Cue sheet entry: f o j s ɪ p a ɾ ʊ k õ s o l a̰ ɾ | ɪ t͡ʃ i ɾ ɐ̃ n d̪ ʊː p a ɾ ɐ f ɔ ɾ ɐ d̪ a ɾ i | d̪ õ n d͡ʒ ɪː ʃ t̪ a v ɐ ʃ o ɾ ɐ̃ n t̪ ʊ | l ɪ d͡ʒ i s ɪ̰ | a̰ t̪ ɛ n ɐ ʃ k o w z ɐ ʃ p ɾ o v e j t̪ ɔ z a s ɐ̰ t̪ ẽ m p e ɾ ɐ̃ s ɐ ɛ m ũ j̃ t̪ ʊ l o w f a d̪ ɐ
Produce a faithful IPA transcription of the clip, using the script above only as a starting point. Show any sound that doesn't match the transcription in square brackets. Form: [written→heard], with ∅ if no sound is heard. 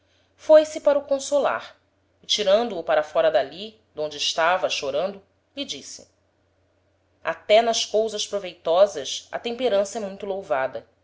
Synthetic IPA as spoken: f o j s ɪ p a ɾ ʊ k õ s o l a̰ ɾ | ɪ t͡ʃ i ɾ ɐ̃ n d̪ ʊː p a ɾ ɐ f ɔ ɾ ɐ d̪ a [ɾ→l] i | d̪ õ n d͡ʒ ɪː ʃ t̪ a v ɐ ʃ o ɾ ɐ̃ n [t̪→d̪] ʊ | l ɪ d͡ʒ i s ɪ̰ | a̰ t̪ ɛ n ɐ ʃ k o w z ɐ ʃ p ɾ o v e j t̪ ɔ z [a→ɐ] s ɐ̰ t̪ ẽ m p e ɾ ɐ̃ s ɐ ɛ m ũ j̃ t̪ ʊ l o w [f→v] a d̪ ɐ